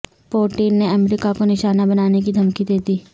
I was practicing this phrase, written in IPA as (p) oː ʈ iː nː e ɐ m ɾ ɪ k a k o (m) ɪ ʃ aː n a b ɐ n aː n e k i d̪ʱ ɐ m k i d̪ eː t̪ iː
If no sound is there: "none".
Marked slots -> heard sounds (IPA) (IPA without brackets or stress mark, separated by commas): p, n